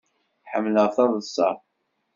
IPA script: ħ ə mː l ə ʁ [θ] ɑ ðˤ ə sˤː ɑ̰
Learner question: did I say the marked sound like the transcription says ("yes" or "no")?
yes